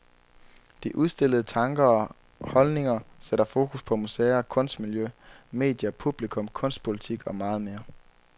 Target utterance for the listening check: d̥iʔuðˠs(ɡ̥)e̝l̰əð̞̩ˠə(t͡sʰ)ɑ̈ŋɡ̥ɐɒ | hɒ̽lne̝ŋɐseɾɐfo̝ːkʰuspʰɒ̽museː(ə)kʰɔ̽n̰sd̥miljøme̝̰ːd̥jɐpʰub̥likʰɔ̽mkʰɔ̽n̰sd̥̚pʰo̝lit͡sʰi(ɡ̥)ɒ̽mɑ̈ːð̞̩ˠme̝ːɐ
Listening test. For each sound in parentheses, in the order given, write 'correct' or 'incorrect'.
incorrect, correct, incorrect, correct

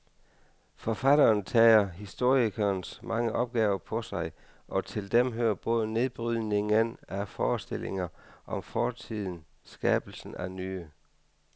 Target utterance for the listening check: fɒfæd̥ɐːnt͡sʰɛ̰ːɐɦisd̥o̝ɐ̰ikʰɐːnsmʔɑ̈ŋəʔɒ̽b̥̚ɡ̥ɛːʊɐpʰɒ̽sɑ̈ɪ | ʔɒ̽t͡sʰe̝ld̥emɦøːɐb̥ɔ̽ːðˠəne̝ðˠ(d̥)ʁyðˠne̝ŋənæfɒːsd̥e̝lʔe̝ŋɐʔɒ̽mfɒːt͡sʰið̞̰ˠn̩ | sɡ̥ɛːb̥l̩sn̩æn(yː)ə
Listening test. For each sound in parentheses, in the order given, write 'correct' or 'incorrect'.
incorrect, correct

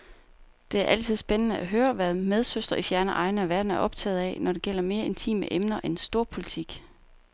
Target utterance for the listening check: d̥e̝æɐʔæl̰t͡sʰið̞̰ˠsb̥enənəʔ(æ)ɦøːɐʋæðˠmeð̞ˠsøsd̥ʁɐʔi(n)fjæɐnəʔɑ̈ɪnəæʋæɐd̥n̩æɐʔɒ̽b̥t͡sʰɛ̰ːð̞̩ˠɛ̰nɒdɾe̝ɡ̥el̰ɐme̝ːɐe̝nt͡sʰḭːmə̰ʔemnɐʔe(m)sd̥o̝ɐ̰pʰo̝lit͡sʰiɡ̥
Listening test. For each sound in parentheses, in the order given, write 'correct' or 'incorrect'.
correct, incorrect, incorrect

